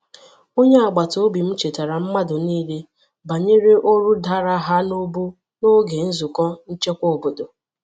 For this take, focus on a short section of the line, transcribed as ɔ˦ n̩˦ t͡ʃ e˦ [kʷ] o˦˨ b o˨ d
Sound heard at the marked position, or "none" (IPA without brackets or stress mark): kʷ